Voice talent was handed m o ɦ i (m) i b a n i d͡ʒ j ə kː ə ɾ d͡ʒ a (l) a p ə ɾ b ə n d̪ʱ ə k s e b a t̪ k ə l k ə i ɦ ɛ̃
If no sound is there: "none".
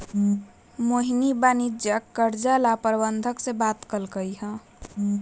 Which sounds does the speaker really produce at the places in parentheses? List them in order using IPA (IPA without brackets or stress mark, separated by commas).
n, l